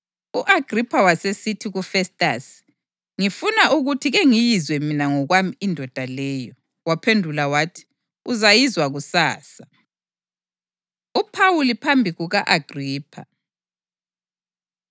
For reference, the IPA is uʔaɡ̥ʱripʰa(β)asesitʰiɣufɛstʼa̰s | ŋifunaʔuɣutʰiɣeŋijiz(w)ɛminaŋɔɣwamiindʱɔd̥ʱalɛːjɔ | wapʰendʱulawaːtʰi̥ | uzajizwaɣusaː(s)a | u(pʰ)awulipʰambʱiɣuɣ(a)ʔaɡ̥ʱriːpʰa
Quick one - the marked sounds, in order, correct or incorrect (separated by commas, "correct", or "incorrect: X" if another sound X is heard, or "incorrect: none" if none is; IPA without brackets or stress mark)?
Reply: incorrect: w, correct, correct, correct, correct